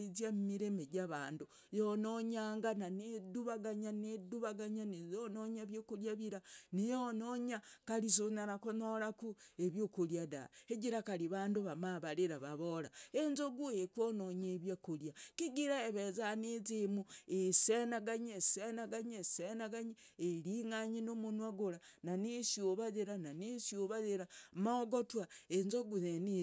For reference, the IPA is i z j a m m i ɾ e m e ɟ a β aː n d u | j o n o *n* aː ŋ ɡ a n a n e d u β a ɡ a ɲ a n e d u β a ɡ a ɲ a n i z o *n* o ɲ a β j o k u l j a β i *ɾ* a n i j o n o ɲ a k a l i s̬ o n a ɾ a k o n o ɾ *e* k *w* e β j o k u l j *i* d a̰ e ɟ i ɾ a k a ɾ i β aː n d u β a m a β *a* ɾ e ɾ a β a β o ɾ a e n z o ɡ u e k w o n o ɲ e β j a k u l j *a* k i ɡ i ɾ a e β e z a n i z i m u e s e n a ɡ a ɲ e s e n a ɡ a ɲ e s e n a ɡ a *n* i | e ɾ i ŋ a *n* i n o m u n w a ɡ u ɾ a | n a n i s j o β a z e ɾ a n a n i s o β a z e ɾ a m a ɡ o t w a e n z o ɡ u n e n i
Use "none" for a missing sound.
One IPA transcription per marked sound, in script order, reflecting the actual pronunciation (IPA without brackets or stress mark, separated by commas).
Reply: ɲ, n, ɾ, a, u, a, a, a, ɲ, ɲ